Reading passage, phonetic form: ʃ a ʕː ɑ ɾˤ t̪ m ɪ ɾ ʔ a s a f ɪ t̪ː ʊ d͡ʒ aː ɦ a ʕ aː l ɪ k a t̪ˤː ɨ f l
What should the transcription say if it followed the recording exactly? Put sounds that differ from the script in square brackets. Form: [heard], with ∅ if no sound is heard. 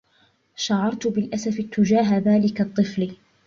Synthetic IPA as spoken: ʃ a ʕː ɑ ɾˤ t̪ [b] ɪ [l] ʔ a s a f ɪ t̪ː ʊ d͡ʒ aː ɦ a [ð] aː l ɪ k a t̪ˤː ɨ f l